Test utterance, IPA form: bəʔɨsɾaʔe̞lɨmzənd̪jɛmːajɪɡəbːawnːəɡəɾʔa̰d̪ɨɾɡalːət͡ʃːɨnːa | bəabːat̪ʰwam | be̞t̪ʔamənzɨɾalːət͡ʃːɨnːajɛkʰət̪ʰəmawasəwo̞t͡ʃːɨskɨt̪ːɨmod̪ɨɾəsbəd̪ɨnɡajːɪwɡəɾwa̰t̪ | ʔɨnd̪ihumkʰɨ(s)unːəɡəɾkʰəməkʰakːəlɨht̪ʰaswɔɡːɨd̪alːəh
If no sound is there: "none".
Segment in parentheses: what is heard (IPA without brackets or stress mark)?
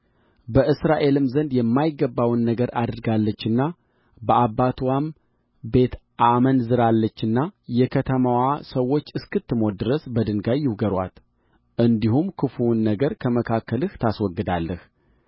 f